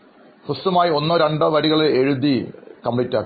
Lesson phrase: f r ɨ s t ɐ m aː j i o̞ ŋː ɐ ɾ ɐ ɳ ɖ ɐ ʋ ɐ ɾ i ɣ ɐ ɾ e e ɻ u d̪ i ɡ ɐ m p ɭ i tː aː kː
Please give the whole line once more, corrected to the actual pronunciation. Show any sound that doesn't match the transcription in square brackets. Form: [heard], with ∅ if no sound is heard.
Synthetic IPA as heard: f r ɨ s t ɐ m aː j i o̞ [nː] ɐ ɾ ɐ ɳ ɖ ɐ ʋ ɐ ɾ i ɣ ɐ [ɭ] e e ɻ u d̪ i [k] ɐ m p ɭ i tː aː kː